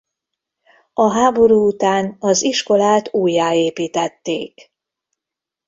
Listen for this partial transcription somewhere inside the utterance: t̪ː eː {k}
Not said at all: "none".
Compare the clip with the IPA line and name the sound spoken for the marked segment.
k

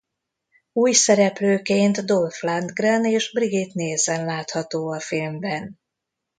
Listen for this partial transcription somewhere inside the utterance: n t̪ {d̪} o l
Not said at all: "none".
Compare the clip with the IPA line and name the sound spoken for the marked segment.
d̪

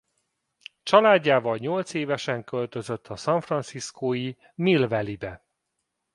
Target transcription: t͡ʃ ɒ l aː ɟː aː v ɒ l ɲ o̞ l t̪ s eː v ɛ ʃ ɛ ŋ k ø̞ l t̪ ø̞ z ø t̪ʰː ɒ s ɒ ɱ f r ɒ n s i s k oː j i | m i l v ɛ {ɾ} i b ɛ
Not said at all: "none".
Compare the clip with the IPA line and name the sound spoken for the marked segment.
l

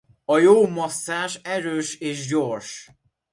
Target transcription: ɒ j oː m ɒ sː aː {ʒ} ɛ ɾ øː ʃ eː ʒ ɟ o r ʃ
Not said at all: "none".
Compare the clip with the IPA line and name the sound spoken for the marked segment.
ʃ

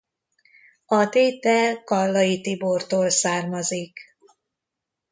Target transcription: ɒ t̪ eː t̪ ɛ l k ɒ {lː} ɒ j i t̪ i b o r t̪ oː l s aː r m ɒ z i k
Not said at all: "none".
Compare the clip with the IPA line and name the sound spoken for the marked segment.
lː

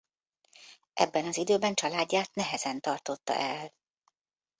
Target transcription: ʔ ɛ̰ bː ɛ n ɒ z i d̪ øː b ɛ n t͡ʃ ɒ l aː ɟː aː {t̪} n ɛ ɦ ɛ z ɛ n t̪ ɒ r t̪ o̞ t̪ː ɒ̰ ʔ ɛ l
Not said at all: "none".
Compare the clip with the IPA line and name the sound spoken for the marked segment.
t̪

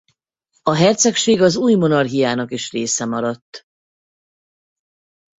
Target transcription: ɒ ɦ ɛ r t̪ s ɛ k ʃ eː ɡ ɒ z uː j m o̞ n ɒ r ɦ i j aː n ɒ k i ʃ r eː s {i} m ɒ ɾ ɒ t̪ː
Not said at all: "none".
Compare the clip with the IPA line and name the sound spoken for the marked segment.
ɛ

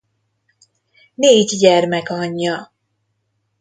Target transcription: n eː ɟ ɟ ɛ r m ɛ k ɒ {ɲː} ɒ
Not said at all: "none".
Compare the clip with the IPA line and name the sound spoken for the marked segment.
ɲː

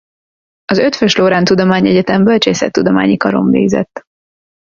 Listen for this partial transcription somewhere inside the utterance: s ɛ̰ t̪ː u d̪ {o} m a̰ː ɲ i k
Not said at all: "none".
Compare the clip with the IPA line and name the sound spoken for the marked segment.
o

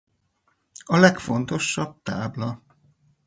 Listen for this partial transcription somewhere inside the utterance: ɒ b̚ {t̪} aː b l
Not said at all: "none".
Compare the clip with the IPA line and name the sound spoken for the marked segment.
t̪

